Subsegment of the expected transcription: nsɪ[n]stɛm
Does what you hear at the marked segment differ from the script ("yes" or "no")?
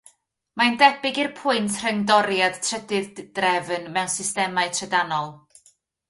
yes